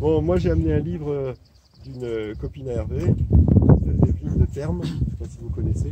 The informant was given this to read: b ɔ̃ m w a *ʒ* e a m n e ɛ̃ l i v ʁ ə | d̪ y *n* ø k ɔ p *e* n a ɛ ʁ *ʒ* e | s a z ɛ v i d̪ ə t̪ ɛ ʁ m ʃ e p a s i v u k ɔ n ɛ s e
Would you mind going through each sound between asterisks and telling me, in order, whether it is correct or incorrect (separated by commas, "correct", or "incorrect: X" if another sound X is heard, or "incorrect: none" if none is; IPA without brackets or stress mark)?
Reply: correct, correct, incorrect: i, incorrect: v